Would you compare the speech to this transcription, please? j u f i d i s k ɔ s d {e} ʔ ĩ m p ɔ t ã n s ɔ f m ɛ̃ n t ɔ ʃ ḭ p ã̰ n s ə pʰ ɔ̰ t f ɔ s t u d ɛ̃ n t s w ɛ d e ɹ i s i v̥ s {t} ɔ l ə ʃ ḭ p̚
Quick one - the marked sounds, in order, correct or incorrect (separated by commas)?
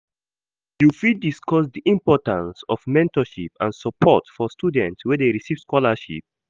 incorrect, incorrect